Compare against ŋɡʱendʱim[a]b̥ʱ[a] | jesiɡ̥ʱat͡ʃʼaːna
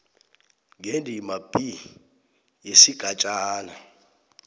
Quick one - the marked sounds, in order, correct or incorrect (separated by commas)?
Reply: correct, incorrect